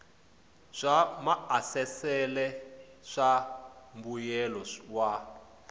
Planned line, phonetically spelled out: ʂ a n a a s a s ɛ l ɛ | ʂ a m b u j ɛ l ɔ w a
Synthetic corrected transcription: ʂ a m a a s ɛ s ɛ l ɛ | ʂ a m b u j ɛ l ɔ w a